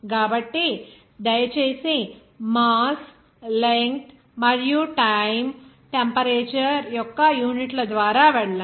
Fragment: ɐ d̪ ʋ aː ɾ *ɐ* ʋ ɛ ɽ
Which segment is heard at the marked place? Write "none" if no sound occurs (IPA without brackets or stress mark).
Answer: a